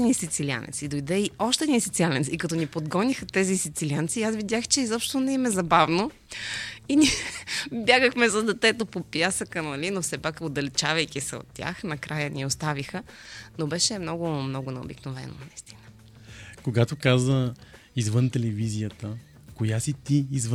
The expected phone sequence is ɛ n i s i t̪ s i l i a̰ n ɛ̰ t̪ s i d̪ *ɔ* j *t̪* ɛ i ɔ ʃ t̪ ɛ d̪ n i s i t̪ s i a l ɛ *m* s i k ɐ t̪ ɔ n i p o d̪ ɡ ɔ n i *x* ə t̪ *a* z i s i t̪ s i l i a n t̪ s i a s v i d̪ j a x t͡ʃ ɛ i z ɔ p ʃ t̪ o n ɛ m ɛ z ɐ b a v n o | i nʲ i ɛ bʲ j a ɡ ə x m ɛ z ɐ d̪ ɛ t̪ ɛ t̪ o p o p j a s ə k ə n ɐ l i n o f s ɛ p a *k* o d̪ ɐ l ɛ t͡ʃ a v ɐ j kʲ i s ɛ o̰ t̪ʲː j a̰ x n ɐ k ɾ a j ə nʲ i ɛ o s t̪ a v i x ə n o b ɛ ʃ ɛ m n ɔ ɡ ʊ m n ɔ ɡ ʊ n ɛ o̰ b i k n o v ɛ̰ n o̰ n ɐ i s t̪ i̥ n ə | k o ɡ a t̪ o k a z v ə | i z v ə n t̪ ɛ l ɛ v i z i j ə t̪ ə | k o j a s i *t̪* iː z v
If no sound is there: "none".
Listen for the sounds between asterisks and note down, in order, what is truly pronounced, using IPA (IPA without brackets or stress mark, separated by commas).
o, d̪, n, x, ɛ, k, t̪